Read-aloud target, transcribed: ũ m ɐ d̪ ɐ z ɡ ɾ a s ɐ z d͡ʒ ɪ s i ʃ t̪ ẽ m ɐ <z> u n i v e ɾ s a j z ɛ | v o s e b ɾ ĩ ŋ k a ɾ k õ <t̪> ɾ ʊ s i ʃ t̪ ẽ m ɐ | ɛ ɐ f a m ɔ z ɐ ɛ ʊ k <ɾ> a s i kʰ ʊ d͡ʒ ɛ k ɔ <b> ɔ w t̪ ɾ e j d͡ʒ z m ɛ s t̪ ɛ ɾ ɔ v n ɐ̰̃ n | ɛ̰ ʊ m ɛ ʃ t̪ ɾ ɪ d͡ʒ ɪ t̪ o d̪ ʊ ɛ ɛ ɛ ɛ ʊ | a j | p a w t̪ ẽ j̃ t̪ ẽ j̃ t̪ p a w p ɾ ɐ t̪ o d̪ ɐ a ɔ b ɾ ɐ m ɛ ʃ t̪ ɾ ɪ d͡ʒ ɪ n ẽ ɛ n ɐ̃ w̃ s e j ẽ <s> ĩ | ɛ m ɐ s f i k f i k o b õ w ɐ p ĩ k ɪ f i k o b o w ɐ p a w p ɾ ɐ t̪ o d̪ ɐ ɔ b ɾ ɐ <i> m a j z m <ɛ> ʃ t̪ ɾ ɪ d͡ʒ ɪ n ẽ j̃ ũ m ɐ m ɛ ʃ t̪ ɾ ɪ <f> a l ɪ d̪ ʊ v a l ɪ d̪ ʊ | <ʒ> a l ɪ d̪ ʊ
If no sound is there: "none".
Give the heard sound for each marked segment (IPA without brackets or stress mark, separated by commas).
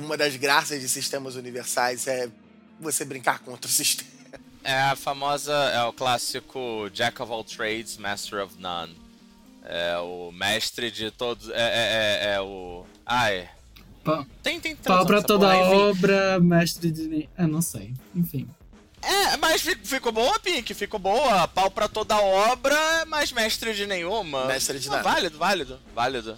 z, t̪, l, v, f, ɛ, ɛ, v, v